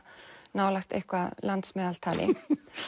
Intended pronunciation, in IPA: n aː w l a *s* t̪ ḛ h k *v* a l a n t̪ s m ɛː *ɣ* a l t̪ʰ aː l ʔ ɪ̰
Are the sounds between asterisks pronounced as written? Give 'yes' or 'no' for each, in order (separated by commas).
no, yes, no